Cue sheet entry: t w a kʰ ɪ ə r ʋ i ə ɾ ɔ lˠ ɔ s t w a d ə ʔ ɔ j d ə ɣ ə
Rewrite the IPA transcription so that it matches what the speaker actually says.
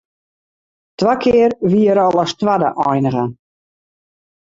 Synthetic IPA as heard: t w a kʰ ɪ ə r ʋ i ə ɾ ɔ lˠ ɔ s t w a d ə ʔ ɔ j n ə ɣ ə